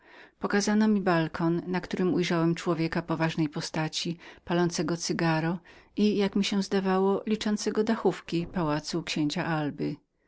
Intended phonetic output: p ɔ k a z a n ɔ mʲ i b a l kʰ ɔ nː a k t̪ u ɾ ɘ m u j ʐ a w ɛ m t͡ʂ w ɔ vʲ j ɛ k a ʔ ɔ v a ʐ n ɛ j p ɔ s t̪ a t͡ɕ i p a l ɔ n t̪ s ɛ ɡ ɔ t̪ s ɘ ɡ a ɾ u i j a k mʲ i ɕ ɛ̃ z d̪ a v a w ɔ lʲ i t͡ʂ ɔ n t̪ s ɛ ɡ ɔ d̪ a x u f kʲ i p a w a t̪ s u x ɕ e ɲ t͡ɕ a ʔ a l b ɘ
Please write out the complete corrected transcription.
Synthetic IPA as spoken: p ɔ k a z a n ɔ mʲ i b a l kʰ ɔ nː a k t̪ u ɾ ɘ m u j ʐ a w ɛ m t͡ʂ w ɔ vʲ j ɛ k a p ɔ v a ʐ n ɛ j p ɔ s t̪ a t͡ɕ i p a l ɔ n t̪ s ɛ ɡ ɔ t̪ s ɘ ɡ a ɾ ɔ i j a k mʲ i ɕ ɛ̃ z d̪ a v a w ɔ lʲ i t͡ʂ ɔ n t̪ s ɛ ɡ ɔ d̪ a x u f kʲ i p a w a t̪ s u k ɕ e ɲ t͡ɕ a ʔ a l b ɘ